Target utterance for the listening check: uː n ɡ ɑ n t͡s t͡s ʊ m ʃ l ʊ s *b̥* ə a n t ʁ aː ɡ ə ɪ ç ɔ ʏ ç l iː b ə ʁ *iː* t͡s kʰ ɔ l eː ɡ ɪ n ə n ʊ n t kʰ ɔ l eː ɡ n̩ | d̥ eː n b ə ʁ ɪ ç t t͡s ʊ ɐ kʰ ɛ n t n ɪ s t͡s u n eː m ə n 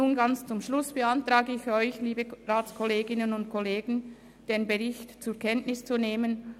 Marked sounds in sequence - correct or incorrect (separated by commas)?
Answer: correct, incorrect